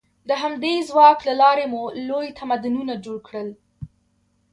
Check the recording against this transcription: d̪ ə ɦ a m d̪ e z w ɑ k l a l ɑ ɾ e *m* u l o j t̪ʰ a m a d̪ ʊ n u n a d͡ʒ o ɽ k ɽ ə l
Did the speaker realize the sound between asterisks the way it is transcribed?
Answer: yes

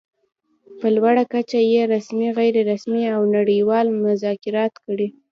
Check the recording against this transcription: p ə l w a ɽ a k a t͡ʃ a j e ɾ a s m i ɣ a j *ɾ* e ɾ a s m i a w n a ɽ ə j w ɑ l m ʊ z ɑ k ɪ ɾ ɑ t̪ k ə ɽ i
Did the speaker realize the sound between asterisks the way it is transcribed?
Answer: yes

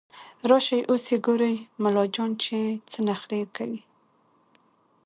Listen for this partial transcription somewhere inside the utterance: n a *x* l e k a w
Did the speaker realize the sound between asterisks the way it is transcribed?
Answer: yes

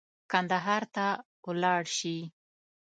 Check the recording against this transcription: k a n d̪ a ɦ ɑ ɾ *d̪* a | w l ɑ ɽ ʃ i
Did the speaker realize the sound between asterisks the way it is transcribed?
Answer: no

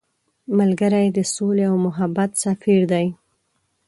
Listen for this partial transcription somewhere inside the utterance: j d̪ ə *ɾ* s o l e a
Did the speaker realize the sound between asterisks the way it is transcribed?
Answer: no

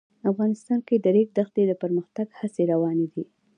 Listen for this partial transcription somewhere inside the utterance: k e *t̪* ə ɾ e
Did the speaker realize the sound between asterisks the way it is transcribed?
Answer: no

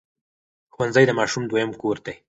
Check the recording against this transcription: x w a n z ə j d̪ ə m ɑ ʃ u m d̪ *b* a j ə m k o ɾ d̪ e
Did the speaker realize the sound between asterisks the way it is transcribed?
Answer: no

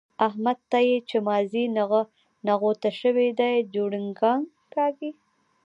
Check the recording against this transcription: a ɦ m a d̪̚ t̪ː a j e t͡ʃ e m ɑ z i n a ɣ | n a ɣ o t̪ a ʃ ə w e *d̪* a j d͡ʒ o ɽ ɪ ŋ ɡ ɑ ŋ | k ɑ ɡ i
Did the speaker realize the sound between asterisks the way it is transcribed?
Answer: yes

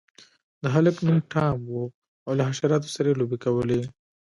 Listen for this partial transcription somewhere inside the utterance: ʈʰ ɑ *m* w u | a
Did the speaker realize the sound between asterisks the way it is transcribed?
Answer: yes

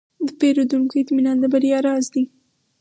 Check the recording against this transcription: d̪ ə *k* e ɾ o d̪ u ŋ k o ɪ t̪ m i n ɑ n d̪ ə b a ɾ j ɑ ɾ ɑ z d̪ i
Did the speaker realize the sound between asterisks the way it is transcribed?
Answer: no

